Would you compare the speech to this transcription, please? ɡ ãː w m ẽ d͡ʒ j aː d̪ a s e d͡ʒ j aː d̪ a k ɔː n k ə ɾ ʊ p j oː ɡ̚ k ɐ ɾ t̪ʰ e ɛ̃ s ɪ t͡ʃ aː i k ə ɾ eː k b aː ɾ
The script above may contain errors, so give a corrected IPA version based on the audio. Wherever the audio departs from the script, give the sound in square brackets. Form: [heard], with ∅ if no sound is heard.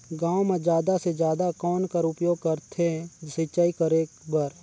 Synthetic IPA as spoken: ɡ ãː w m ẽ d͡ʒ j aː d̪ a s e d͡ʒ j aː d̪ a k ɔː n k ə ɾ ʊ p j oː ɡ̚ k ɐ ɾ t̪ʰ e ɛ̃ s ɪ t͡ʃ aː i k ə ɾ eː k b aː ɾ